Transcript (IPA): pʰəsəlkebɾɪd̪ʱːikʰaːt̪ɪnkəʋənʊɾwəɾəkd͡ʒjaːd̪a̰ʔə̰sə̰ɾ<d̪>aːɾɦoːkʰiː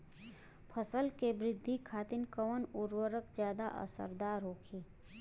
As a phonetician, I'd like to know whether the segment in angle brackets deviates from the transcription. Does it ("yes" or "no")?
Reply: no